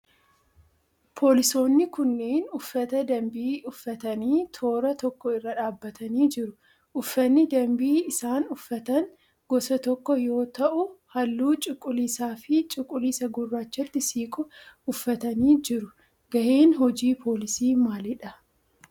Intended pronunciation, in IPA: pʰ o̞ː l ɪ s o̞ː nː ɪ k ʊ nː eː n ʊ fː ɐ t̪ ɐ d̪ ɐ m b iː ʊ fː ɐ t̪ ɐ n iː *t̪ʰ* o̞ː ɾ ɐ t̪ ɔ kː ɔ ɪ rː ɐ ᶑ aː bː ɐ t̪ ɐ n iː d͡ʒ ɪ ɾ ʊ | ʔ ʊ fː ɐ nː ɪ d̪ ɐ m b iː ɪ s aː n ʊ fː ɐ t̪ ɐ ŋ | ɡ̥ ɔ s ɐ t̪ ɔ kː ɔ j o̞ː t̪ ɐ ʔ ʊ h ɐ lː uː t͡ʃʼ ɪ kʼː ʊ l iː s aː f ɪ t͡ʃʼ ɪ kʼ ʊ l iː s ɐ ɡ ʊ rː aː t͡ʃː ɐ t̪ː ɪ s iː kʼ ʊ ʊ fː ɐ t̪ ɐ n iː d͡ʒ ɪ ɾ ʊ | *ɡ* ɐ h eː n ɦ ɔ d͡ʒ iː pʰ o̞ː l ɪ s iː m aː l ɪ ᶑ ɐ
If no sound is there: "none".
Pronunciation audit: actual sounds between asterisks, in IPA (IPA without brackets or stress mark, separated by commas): t̪ʰ, ɡ